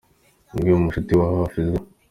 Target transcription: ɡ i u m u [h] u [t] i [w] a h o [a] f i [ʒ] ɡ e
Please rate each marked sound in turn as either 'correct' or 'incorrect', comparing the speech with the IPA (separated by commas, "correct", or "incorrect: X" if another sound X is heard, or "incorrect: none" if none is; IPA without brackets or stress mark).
incorrect: ʃ, correct, correct, correct, incorrect: z